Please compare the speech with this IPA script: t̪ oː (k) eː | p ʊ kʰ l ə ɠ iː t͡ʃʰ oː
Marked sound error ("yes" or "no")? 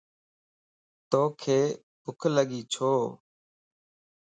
yes